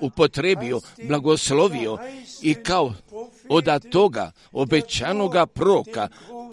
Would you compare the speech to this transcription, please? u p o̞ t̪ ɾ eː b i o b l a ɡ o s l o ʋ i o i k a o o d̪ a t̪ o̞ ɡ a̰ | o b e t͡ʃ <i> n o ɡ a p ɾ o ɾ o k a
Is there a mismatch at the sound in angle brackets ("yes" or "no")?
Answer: yes